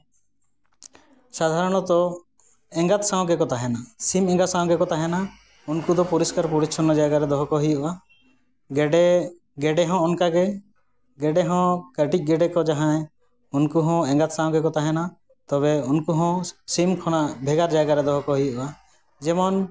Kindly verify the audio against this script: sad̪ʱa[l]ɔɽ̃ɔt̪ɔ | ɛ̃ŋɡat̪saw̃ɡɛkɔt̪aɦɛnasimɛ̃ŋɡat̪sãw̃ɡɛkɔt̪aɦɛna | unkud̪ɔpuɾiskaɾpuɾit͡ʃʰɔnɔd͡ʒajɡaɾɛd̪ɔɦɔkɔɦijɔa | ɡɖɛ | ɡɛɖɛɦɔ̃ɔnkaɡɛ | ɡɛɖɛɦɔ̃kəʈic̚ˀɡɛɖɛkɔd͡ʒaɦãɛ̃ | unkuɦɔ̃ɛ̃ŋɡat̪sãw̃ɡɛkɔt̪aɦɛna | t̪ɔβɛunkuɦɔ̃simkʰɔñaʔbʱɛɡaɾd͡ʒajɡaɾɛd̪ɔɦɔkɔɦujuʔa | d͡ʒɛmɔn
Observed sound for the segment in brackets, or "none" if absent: ɾ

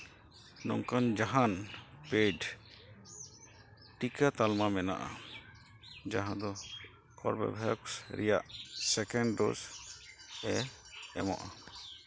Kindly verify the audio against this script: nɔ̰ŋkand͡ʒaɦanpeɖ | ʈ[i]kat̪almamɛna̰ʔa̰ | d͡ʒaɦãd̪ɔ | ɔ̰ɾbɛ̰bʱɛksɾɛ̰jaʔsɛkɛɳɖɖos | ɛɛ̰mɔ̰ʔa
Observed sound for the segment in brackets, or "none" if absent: i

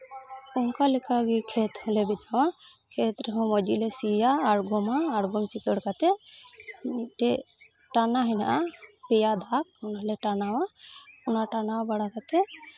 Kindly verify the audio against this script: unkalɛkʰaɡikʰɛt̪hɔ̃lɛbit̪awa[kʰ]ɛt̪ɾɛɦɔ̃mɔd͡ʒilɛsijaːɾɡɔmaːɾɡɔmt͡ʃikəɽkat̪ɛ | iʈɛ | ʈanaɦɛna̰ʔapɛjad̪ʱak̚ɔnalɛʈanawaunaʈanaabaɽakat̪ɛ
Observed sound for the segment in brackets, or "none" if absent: kʰ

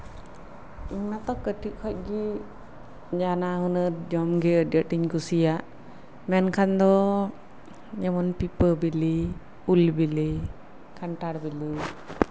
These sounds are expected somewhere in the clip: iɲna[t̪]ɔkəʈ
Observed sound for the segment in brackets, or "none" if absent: t̪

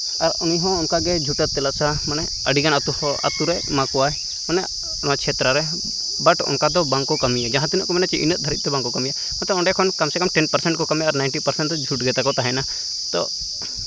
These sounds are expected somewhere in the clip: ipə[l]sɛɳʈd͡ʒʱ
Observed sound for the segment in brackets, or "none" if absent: ɾ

